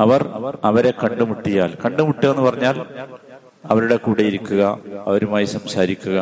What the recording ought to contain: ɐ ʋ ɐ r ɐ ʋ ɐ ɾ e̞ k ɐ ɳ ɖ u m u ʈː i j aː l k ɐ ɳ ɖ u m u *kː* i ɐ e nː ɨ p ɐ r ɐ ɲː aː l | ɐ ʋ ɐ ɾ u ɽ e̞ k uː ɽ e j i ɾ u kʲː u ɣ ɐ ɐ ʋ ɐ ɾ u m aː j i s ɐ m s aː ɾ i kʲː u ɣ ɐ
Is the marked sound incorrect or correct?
incorrect